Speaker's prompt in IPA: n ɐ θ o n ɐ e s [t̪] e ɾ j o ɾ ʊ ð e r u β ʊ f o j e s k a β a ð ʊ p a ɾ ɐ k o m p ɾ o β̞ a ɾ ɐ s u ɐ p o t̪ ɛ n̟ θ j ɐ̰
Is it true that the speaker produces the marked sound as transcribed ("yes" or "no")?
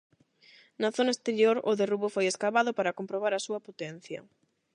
yes